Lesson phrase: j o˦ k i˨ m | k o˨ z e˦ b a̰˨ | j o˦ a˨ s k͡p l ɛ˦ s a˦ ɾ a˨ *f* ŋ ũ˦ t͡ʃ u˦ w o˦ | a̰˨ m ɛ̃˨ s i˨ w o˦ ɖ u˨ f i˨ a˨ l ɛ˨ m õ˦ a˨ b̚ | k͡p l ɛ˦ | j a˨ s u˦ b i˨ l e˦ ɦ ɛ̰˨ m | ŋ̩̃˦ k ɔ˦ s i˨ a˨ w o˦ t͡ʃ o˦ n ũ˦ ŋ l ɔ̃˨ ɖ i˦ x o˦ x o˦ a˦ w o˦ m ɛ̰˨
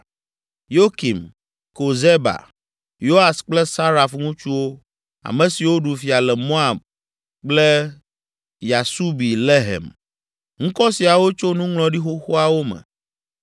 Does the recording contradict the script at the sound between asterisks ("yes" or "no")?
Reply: no